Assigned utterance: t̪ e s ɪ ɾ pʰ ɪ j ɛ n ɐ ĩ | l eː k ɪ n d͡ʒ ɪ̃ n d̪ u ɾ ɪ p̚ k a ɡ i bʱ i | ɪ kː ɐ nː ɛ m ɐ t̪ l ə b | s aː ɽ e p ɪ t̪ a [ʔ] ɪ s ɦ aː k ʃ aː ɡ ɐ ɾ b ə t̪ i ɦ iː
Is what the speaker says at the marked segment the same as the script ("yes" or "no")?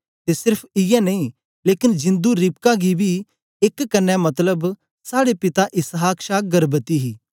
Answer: yes